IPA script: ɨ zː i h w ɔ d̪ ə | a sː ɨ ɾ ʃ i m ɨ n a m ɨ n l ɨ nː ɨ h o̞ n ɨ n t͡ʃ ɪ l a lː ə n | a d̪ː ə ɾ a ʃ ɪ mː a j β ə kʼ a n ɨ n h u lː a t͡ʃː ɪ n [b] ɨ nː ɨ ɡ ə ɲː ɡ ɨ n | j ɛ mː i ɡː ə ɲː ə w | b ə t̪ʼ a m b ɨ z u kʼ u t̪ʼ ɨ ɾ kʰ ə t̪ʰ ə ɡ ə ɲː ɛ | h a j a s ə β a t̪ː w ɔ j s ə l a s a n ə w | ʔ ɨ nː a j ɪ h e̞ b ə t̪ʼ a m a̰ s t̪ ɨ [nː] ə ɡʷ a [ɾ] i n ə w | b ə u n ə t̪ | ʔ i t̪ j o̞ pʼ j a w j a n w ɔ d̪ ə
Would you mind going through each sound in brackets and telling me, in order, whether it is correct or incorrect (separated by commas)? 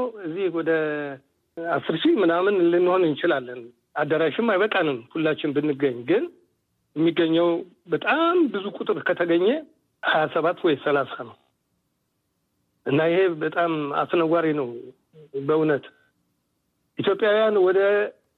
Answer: correct, incorrect, correct